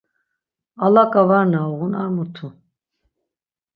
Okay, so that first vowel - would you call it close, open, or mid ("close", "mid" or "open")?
open